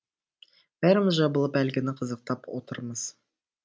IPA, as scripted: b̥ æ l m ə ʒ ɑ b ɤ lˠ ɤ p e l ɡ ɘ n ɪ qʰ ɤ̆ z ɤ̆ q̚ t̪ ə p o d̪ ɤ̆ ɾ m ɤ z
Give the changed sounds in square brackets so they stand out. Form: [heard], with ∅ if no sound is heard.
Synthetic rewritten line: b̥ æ [ɾ] m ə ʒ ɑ b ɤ lˠ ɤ p [æ] l ɡ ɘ n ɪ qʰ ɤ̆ z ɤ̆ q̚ t̪ [ɑ] p o [t̪] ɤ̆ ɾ m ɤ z